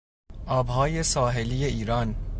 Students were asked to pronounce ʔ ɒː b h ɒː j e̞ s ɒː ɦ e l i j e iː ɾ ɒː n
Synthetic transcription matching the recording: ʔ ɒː b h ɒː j e̞ s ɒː ɦ e l i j e iː ɾ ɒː n